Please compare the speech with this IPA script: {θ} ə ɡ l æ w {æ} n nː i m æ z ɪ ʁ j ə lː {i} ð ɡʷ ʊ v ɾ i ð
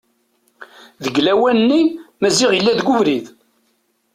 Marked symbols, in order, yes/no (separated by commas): no, yes, no